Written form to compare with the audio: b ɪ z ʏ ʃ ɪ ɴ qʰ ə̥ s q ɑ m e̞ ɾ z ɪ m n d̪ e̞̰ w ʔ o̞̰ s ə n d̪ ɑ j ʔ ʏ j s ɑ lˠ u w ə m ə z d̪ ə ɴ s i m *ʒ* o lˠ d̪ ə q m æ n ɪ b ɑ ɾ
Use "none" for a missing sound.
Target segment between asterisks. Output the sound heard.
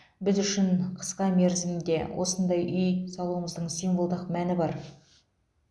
v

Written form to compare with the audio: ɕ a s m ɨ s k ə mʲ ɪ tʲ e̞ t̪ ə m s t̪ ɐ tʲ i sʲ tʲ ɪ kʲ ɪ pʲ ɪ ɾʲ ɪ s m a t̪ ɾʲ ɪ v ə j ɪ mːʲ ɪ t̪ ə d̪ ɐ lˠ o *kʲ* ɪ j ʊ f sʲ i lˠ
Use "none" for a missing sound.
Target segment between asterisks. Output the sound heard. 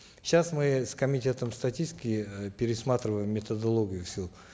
ɡʲ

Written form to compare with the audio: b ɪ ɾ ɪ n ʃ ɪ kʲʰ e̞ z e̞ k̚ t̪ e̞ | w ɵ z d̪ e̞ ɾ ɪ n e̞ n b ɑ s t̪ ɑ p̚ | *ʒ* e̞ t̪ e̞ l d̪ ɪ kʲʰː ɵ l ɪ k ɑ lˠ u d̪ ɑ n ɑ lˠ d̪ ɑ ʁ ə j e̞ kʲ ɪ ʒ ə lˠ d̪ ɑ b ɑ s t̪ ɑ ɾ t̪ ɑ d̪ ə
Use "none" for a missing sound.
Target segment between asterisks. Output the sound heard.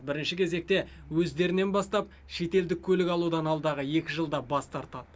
ʃ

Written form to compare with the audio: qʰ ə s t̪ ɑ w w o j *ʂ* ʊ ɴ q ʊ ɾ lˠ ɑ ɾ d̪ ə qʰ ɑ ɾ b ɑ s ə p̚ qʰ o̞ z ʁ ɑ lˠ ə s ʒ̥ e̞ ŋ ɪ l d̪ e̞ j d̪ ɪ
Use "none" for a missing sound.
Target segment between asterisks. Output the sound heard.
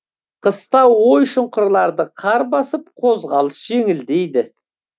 ʃ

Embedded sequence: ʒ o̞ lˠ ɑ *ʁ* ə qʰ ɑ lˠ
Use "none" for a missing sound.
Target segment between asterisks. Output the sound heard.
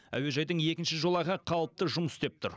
ʁ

